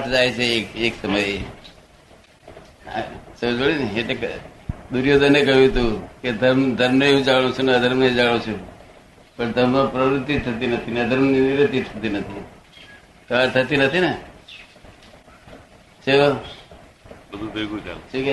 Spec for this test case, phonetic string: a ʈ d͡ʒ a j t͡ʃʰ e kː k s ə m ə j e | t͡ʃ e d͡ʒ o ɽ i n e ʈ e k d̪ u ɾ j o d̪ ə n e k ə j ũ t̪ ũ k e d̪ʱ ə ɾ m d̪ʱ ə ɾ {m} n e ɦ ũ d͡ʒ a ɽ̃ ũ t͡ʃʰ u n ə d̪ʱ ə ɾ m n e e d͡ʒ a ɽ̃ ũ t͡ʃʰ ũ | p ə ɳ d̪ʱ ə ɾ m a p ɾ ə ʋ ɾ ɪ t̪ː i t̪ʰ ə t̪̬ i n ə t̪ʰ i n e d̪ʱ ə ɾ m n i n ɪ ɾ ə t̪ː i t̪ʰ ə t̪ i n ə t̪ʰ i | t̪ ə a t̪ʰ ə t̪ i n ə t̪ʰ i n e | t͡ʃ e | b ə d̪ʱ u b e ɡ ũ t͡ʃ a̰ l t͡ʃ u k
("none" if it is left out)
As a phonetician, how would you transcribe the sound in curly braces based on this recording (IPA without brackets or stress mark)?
m